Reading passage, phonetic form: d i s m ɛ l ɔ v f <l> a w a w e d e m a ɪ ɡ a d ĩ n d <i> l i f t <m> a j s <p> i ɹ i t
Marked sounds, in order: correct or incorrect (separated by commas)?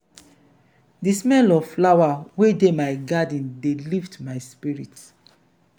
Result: correct, incorrect, correct, correct